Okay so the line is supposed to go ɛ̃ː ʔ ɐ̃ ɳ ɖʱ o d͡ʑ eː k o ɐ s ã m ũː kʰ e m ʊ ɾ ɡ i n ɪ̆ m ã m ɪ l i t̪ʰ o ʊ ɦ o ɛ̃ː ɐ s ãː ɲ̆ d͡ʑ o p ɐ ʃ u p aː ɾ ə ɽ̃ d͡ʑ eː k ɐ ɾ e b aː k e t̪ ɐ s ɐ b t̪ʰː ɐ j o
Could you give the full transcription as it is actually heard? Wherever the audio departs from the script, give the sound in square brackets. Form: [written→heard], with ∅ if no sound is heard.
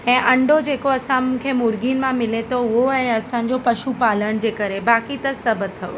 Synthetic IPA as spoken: ɛ̃ː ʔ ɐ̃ ɳ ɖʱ o d͡ʑ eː k o ɐ s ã m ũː kʰ e m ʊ ɾ ɡ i n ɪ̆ m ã m ɪ l [i→e] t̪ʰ o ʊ ɦ o ɛ̃ː ɐ s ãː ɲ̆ d͡ʑ o p ɐ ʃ u p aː [ɾ→l] ə ɽ̃ d͡ʑ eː k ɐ ɾ e b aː k [e→i] t̪ ɐ s ɐ b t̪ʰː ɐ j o